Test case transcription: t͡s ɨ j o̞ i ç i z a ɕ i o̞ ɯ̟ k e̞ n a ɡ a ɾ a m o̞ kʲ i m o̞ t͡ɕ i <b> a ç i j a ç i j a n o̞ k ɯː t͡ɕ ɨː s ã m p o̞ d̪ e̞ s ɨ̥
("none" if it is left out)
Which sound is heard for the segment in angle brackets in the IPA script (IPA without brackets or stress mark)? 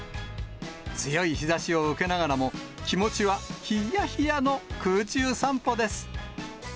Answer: β